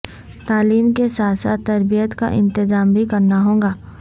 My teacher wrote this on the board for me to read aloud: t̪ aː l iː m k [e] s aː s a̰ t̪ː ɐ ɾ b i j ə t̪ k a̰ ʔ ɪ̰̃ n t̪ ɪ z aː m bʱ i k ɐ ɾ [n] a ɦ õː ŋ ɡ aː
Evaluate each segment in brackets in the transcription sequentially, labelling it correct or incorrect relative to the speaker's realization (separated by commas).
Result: correct, correct